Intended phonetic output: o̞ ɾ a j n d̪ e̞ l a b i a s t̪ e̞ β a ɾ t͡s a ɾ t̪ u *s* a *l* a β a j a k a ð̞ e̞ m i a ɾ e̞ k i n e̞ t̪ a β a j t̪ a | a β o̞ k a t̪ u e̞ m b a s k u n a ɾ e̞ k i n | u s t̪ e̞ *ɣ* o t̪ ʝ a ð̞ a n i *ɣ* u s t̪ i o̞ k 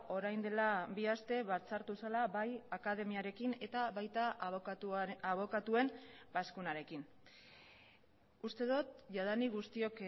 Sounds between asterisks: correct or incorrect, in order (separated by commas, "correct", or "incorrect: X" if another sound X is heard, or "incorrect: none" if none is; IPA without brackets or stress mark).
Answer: correct, correct, incorrect: ð, correct